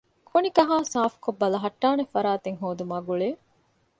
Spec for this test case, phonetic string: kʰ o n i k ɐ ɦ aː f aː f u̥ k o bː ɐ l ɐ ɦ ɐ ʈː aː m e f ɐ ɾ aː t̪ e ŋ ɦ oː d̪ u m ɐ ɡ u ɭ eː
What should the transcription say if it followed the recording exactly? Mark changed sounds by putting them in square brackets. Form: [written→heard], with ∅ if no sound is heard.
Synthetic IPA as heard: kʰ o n i k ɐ ɦ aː [f→s] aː f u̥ k o bː ɐ l ɐ ɦ ɐ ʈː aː [m→n] e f ɐ ɾ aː t̪ e ŋ ɦ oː d̪ u m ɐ ɡ u ɭ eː